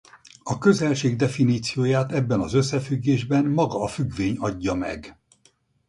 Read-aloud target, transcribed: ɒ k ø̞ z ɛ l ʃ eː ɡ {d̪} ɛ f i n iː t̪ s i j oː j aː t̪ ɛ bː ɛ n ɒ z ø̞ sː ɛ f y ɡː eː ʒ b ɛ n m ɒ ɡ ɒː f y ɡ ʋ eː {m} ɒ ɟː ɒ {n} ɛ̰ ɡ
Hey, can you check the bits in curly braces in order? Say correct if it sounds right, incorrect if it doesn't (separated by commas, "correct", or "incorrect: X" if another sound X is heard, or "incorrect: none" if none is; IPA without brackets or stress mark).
correct, incorrect: ɲ, incorrect: m